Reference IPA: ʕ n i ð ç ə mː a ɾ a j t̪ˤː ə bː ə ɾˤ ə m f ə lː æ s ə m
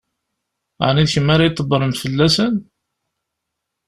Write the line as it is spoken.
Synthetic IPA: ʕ n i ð ç ə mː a ɾ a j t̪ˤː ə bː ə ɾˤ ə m f ə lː æ s ə n